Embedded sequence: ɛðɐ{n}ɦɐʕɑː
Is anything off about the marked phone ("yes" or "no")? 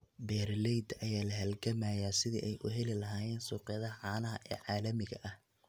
yes